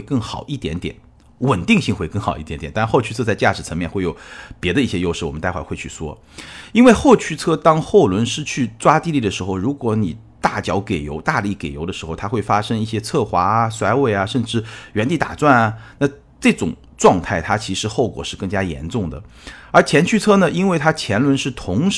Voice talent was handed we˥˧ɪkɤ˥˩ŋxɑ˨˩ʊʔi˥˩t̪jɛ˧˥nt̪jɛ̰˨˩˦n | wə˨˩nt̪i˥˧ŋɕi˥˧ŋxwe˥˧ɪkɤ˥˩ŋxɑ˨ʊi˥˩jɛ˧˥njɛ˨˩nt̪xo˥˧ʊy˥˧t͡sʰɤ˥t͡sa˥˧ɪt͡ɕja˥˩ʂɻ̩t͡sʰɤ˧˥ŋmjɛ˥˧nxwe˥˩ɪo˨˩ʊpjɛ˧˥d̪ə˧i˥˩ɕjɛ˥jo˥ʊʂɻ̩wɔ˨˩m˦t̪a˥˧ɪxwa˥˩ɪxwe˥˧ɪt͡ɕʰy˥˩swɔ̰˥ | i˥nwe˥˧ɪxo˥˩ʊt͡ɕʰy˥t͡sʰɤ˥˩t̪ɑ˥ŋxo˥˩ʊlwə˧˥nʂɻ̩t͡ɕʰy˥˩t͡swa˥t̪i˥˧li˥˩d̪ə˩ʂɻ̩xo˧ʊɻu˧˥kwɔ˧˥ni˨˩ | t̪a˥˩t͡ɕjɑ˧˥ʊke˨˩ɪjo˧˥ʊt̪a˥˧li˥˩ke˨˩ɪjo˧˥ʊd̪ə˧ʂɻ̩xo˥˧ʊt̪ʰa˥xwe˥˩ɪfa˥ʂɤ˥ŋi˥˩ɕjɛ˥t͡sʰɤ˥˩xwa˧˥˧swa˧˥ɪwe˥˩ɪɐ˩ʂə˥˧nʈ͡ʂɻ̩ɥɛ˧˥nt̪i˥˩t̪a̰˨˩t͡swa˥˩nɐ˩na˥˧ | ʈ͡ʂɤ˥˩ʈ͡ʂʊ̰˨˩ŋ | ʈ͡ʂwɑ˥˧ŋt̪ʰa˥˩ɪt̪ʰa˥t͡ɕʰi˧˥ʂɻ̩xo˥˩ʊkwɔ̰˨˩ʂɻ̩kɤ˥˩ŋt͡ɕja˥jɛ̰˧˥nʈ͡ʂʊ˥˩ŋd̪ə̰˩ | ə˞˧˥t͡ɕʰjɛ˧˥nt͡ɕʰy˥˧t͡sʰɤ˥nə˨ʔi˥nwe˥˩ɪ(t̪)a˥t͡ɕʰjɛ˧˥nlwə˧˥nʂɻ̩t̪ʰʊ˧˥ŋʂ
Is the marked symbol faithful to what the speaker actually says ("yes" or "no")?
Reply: no